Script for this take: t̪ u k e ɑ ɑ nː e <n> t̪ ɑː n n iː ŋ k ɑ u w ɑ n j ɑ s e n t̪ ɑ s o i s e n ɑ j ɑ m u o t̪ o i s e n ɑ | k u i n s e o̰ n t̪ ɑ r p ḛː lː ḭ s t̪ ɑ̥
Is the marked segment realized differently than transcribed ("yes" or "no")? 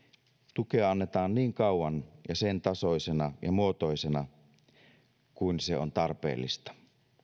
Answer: yes